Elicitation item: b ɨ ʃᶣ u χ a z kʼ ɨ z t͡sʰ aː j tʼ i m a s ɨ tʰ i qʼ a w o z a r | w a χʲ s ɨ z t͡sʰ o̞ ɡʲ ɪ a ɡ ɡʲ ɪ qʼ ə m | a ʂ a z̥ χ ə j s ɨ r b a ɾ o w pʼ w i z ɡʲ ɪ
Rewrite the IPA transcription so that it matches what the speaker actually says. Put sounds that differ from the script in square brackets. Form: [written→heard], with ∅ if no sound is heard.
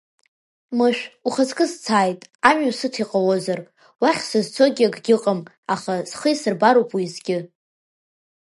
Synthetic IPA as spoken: [b→m] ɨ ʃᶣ u χ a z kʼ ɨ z t͡sʰ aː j tʼ [i→a] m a s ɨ tʰ i qʼ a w o z a r | w a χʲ s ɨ z t͡sʰ o̞ ɡʲ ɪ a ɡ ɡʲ ɪ qʼ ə m | a [ʂ→χ] a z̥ χ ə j s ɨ r b a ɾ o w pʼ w i z ɡʲ ɪ

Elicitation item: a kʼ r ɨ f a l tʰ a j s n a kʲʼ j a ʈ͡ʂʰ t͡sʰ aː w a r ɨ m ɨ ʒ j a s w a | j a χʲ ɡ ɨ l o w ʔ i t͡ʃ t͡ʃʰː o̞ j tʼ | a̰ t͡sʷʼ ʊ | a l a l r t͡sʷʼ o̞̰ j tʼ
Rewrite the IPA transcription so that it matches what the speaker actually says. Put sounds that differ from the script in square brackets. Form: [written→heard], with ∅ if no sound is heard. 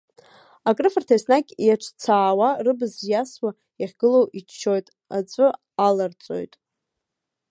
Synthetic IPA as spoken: a kʼ r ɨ f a [l→r] tʰ a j s n a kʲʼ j a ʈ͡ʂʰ t͡sʰ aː w a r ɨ [m→b] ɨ [ʒ→z] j a s w a | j a χʲ ɡ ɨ l o w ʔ i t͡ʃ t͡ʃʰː o̞ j tʼ | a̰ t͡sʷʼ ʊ | a l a [l→∅] r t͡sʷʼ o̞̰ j tʼ

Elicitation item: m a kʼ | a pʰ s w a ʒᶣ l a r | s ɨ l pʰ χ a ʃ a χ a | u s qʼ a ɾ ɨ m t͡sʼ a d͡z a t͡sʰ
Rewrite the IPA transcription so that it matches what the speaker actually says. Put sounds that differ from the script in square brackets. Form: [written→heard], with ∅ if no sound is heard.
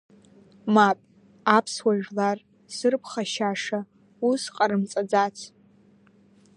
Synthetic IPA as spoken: m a [kʼ→pʼ] | a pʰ s w a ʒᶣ l a r | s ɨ [l→r] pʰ χ a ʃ a [χ→ʂ] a | u s qʼ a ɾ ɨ m t͡sʼ a d͡z a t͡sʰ

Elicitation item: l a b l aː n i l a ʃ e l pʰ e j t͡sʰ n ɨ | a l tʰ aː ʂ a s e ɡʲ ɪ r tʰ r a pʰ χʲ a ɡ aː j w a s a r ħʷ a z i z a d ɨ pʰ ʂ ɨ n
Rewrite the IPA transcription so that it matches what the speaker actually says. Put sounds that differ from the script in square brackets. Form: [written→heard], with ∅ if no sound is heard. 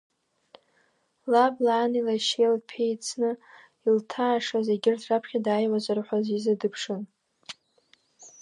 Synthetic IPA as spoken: l a b l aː n i l a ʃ e l pʰ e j t͡sʰ n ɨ | [a→i] l tʰ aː ʂ a [s→z] e ɡʲ ɪ r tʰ r a pʰ χʲ a [ɡ→d] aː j w a [s→z] a r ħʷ a z i z a d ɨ pʰ ʂ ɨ n

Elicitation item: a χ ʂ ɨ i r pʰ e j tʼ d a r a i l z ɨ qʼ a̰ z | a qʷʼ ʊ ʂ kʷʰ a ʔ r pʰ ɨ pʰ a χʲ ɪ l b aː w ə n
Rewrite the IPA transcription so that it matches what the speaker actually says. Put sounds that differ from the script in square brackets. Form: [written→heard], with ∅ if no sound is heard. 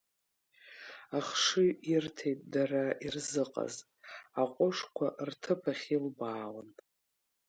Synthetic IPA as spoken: a χ ʂ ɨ i r [pʰ→tʰ] e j tʼ d a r a i [l→r] z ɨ qʼ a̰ z | a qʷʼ ʊ ʂ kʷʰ a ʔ r [pʰ→tʰ] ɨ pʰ a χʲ [ɪ→i] l b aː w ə n

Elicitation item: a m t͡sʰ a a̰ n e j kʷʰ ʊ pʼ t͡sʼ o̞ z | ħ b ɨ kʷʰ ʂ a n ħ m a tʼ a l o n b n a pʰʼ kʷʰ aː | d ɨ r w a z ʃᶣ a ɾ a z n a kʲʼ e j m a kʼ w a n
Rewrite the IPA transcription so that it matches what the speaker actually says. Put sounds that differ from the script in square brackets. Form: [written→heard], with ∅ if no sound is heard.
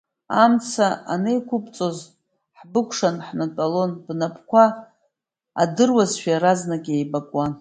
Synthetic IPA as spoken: a m t͡sʰ a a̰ n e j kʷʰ ʊ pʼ t͡sʼ o̞ z | ħ b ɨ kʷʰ ʂ a n ħ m a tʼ a l o n b n a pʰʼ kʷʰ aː | d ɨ r w a z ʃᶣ a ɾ a z n a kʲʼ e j [m→b] a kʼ w a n

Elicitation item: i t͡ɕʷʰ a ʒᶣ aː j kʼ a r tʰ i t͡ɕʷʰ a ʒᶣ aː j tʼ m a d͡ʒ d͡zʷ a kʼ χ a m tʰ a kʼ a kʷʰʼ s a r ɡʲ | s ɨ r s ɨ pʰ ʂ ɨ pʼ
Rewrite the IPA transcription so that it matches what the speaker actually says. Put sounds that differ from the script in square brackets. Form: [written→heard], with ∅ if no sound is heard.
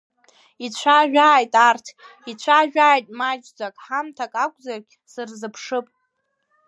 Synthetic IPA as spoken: i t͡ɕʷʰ a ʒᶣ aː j [kʼ→tʼ] a r tʰ i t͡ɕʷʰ a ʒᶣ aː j tʼ m a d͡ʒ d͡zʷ a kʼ [χ→ħ] a m tʰ a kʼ a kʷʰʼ [s→z] a r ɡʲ | s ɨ r [s→z] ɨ pʰ ʂ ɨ pʼ

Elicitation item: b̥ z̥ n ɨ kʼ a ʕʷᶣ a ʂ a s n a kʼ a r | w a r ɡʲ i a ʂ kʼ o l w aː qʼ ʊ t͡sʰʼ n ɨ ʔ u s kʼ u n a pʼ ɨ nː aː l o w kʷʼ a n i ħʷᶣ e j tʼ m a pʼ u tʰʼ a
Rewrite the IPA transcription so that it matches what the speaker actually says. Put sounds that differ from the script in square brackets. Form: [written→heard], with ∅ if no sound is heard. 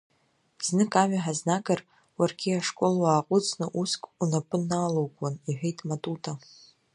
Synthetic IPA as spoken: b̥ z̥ n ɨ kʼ a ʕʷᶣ a [ʂ→ħ] a [s→z] n a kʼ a r | w a r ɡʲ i a ʂ kʼ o l w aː qʼ ʊ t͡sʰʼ n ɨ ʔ u s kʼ u n a pʼ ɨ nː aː l o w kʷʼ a n i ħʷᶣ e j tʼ m a [pʼ→tʼ] u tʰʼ a

